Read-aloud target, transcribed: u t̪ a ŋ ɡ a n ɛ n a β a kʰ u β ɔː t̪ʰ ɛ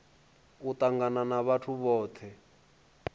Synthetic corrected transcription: u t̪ a ŋ ɡ a n a n a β a tʰ u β ɔː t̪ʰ ɛ